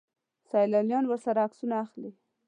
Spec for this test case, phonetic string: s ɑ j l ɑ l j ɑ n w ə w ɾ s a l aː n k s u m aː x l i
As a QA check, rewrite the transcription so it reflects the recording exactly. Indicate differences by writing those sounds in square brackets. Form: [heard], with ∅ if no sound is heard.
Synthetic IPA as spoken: s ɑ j l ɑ l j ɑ n w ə [∅] ɾ s a [ɾ] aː [∅] k s u [n] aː x l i